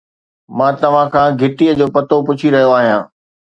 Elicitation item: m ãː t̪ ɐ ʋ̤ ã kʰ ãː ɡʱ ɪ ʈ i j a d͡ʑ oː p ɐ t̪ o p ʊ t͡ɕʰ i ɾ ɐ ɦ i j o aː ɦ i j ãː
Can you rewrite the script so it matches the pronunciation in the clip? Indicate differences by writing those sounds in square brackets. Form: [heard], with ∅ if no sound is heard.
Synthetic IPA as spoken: m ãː t̪ ɐ ʋ̤ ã kʰ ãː ɡʱ ɪ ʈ i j [ə] d͡ʑ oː p ɐ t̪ o p ʊ t͡ɕʰ i ɾ ɐ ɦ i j o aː ɦ i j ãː